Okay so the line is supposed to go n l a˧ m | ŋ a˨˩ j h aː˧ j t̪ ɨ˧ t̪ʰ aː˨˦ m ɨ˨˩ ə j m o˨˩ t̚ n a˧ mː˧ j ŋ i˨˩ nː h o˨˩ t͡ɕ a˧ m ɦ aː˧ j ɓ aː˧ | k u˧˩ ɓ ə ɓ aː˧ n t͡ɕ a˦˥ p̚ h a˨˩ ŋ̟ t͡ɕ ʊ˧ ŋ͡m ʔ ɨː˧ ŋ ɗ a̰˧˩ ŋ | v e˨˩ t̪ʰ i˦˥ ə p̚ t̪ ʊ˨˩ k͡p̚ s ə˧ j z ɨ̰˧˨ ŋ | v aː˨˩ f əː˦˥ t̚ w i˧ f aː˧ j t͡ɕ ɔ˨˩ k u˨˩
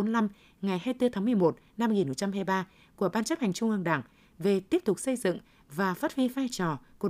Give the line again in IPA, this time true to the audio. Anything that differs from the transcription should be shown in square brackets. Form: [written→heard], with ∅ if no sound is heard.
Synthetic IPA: n l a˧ m | ŋ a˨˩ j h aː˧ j t̪ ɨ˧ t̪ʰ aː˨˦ m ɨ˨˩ ə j m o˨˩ t̚ n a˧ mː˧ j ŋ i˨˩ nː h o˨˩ t͡ɕ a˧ m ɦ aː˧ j ɓ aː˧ | k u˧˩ [ɓ→∅] ə ɓ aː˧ n t͡ɕ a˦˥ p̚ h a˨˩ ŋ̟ t͡ɕ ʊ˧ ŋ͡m ʔ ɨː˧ ŋ ɗ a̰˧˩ ŋ | v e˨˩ [t̪ʰ→t̪] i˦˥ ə p̚ t̪ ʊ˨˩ k͡p̚ s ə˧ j z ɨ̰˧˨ ŋ | v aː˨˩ f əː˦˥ t̚ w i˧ f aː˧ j t͡ɕ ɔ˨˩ k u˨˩